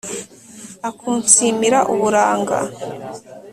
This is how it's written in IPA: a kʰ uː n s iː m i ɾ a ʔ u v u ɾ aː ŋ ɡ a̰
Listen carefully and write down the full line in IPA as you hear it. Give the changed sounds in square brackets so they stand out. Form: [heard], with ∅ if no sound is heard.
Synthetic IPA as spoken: a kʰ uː n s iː m i ɾ a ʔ u [β] u ɾ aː ŋ ɡ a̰